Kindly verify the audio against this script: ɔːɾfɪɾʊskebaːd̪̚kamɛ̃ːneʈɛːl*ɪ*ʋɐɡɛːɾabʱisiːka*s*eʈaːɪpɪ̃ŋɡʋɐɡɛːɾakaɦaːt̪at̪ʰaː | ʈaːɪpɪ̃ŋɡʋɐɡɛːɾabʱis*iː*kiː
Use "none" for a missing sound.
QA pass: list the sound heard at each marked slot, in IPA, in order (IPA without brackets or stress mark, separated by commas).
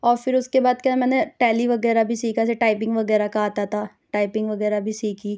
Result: i, s, iː